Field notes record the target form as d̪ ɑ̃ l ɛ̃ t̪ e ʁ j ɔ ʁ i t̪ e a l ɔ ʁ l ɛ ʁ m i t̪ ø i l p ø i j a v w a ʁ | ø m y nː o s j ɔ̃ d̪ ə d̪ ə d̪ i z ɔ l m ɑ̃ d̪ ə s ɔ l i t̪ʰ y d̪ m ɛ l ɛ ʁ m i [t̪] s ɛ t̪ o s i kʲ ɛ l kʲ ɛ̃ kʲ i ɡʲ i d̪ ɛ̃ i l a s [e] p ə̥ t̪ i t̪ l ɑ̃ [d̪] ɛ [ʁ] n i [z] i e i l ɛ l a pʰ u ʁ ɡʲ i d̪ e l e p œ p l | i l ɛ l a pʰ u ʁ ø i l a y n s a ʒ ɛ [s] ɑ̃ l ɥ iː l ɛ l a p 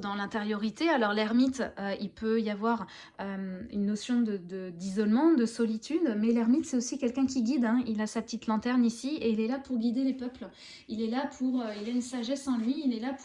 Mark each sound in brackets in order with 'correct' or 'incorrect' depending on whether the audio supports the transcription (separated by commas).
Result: correct, incorrect, incorrect, correct, incorrect, correct